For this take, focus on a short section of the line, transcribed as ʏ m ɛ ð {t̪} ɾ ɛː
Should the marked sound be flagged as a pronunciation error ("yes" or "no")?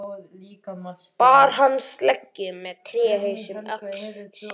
yes